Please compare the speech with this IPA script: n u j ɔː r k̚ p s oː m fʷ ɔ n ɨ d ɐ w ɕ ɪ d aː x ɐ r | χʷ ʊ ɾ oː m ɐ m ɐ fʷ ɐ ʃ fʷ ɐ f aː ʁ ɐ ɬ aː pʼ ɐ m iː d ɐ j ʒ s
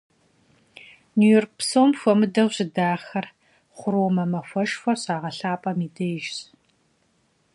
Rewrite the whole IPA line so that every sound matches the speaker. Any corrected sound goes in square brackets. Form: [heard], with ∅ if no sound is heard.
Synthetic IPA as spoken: n u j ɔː r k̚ p s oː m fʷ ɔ [m] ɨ d ɐ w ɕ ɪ d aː x ɐ r | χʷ ʊ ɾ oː m ɐ m ɐ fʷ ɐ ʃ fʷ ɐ [ɕ] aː ʁ ɐ ɬ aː pʼ ɐ m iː d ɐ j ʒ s